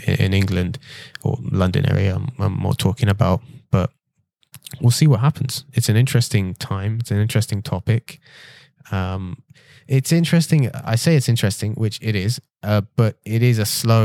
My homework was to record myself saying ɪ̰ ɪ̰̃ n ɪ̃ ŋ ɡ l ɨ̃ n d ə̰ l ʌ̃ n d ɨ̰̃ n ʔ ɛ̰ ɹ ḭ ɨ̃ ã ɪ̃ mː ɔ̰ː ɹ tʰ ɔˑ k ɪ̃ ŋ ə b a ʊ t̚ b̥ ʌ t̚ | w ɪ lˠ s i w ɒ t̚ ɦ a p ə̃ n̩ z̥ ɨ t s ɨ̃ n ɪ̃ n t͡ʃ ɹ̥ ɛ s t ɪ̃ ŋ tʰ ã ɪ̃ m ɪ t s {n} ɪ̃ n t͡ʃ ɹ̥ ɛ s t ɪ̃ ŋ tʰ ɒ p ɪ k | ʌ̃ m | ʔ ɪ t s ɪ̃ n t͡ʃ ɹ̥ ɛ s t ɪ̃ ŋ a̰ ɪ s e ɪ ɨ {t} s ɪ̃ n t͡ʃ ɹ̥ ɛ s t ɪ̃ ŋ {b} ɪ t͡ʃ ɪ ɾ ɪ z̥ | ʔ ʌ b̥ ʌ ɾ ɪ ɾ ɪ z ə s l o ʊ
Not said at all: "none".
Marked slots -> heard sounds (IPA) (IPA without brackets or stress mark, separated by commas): n, t, w